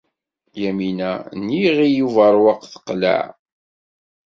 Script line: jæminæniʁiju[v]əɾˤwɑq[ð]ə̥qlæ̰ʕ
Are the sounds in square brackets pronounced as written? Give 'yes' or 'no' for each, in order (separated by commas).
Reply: yes, no